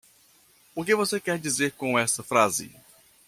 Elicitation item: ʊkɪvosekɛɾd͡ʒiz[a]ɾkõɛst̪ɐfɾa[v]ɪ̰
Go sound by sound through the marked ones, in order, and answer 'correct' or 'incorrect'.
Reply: incorrect: e, incorrect: z

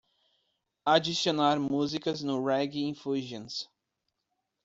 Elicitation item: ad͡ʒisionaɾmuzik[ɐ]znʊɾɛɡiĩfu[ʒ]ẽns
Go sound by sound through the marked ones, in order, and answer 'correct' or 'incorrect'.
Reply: correct, correct

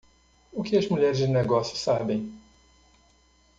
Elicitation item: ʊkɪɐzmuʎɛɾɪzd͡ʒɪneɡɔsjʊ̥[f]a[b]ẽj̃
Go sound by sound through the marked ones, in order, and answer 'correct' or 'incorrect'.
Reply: incorrect: s, correct

